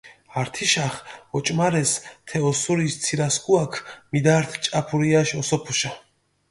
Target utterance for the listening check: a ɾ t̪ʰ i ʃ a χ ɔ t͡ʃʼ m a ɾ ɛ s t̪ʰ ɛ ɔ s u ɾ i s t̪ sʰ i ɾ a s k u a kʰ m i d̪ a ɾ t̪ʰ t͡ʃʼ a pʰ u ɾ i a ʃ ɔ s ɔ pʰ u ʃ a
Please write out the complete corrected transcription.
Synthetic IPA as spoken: a ɾ t̪ʰ i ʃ a χ ɔ t͡ʃʼ m a ɾ ɛ s t̪ʰ ɛ ɔ s u ɾ i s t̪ sʰ i ɾ a s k u a kʰ m i d̪ a ɾ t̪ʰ t͡ʃʼ a pʰ u ɾ i a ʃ ɔ s ɔ pʰ u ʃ a